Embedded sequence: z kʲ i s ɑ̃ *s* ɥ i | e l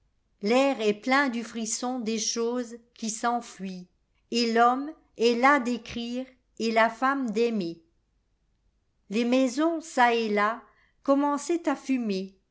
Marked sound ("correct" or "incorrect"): incorrect